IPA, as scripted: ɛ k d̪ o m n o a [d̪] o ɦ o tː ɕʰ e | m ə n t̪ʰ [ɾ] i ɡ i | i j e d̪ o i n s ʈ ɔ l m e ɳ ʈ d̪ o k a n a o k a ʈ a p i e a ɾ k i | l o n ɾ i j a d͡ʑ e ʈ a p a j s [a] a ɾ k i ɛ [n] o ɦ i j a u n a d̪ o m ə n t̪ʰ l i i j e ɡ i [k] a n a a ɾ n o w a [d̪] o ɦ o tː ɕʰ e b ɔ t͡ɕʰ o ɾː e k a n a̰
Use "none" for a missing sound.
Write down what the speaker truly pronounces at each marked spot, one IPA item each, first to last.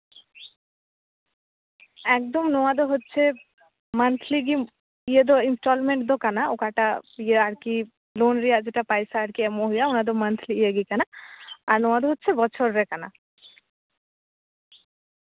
d̪, l, a, m, k, d̪

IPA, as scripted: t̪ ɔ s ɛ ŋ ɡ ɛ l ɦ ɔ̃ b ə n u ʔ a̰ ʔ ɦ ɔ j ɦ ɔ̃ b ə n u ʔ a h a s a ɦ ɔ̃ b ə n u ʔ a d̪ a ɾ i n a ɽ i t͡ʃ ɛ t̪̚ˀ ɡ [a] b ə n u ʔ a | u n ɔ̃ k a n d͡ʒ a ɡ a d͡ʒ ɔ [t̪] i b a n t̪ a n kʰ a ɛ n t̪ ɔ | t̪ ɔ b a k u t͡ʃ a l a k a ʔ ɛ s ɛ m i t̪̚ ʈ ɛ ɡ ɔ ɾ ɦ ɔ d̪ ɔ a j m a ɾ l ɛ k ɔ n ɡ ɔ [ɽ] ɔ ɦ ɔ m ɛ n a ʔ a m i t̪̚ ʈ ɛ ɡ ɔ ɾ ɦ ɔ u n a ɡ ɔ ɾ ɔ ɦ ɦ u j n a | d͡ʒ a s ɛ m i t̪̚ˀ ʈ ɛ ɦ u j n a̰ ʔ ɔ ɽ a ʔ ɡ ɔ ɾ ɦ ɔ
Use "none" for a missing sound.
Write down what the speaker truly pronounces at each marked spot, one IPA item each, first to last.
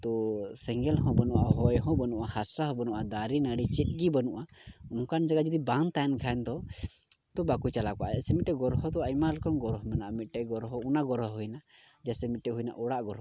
i, d̪, ɾ

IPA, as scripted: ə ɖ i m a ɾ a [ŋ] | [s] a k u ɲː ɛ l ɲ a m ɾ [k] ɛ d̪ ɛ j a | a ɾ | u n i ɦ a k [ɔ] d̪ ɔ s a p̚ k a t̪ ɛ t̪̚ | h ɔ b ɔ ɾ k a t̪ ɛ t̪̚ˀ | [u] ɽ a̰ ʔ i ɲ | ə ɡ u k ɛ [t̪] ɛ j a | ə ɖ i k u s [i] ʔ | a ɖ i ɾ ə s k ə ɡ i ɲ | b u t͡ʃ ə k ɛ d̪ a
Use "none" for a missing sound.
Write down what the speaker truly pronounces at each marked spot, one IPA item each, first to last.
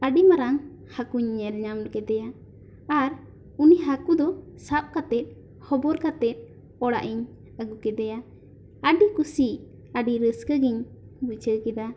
ŋ, h, k, u, ɔ, d̪, i

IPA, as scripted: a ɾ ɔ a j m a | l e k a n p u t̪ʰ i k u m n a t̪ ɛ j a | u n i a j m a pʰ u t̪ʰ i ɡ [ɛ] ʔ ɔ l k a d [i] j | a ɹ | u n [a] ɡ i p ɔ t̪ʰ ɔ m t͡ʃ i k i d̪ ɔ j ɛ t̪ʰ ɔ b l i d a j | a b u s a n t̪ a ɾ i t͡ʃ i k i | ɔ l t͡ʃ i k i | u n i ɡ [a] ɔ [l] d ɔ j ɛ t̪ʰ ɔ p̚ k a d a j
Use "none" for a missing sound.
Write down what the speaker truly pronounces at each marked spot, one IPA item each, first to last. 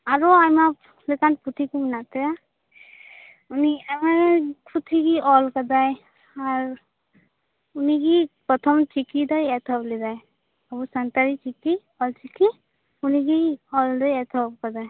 i, a, i, i, l

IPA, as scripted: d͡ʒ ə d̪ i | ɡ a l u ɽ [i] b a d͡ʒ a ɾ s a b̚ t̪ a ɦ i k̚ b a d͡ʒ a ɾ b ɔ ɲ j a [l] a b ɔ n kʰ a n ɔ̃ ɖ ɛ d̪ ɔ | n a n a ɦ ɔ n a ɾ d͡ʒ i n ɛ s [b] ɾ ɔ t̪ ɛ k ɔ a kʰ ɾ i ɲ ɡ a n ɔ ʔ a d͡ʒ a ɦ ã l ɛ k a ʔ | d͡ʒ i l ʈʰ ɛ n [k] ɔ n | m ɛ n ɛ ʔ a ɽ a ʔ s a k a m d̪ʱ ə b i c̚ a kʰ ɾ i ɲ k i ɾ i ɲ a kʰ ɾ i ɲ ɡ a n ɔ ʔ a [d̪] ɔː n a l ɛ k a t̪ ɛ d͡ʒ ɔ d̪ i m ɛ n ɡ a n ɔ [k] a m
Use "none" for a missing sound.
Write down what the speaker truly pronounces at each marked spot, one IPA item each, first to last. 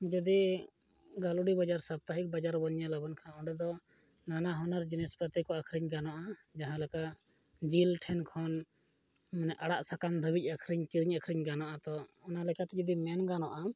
i, l, p, kʰ, t̪, ʔ

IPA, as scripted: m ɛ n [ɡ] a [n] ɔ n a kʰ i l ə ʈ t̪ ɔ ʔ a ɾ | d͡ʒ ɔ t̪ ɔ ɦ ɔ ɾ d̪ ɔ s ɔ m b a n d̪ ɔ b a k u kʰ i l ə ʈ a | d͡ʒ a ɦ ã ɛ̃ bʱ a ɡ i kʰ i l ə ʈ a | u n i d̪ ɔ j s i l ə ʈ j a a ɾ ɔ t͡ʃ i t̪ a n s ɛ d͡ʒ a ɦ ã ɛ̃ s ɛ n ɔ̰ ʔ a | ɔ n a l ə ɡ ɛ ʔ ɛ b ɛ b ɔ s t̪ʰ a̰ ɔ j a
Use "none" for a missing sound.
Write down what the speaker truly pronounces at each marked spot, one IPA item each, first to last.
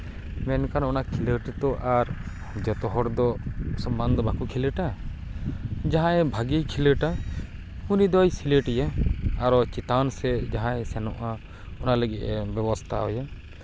k, n

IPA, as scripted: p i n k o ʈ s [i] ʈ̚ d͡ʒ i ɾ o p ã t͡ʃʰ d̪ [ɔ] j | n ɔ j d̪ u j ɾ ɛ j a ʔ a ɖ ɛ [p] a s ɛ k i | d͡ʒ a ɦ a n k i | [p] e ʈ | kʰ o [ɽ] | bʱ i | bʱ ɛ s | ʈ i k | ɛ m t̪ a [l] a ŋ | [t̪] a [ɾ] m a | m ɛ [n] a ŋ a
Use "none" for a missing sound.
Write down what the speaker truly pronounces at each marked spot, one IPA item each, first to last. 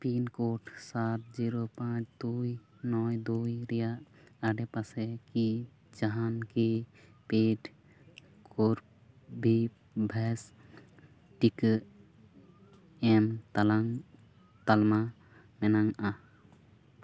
a, u, p, p, ɾ, l, t̪, l, n

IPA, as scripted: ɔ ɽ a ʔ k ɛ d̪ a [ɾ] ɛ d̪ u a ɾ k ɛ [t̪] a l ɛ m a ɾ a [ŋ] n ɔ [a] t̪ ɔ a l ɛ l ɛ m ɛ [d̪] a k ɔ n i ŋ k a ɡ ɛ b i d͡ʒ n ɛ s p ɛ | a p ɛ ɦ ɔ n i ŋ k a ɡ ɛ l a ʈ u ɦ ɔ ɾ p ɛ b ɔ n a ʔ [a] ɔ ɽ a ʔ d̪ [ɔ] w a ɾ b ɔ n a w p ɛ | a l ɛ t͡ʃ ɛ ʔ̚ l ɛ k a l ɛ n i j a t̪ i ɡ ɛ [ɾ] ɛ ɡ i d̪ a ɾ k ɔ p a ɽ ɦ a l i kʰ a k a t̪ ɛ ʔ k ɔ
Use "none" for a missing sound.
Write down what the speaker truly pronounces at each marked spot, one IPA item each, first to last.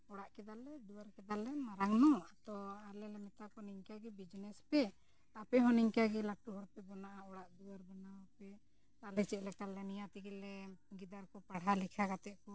l, d̪, ŋ, a, t̪, a, u, l

